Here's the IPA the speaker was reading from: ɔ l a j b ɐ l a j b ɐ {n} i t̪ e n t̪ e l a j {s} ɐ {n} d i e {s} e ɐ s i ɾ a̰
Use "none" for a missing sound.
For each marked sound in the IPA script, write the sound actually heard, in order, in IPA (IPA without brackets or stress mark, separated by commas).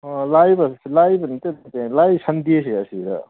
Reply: n, s, n, s